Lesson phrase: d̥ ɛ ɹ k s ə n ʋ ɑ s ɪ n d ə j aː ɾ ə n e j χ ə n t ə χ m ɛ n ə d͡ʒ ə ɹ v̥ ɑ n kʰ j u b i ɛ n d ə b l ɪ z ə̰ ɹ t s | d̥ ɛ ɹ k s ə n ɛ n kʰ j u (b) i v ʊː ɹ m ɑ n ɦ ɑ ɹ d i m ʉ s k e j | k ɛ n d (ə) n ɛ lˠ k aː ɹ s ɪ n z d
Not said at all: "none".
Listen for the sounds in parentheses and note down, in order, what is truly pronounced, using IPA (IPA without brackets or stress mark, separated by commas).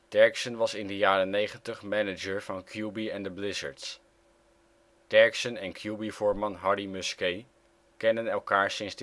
b, ə